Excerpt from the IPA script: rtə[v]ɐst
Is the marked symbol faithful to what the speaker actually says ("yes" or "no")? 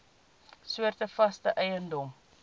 no